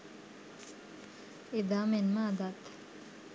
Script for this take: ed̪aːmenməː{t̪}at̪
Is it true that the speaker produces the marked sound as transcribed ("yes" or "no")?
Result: no